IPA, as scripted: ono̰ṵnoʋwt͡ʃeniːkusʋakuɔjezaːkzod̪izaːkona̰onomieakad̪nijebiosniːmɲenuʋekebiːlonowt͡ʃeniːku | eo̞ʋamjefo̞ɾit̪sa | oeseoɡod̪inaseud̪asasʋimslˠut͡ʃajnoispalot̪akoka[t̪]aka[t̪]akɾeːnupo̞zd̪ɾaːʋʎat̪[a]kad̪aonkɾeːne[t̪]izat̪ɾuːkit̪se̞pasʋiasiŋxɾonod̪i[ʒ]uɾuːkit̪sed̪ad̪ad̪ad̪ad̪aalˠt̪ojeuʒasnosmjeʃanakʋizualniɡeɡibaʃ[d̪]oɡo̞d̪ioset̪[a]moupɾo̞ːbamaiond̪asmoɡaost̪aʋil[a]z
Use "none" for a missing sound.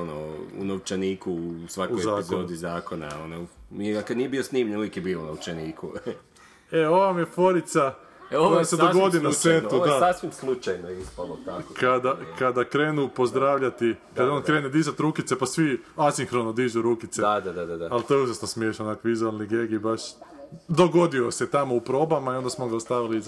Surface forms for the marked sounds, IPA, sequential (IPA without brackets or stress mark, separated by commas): d̪, d̪, i, d̪, ʒ, d̪, a, i